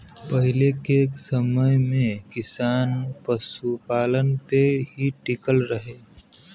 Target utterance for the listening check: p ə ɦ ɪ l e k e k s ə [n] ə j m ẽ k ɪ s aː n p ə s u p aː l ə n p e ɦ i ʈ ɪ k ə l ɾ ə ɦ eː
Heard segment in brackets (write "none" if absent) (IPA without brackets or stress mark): m